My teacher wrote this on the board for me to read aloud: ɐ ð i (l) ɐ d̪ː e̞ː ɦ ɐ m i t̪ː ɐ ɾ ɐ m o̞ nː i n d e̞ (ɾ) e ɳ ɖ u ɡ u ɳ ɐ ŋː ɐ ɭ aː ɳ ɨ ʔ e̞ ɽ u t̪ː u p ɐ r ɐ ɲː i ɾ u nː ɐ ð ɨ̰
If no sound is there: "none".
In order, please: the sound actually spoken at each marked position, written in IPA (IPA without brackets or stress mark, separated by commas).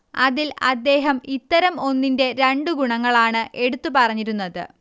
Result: l, ɾ